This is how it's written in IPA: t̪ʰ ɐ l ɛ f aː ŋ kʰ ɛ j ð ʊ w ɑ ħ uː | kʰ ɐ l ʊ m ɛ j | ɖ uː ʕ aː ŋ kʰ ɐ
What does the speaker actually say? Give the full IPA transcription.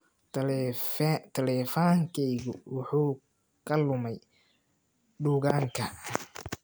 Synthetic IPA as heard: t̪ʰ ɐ l ɛ f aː ŋ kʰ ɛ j ɣ ʊ w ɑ ħ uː | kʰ ɐ l ʊ m ɛ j | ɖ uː ɣ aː ŋ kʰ ɐ